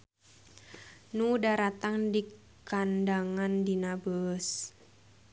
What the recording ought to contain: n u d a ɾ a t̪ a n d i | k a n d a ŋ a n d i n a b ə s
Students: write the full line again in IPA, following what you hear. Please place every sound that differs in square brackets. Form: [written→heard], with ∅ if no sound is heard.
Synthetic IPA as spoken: n u d a ɾ a t̪ a [n→ŋ] d i | k a n d a ŋ a n d i n a b ə s